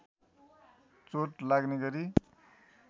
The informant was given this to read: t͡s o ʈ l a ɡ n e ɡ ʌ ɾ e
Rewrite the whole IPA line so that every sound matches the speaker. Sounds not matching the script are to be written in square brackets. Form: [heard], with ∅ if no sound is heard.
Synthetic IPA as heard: t͡s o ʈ l a ɡ n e ɡ ʌ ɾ [i]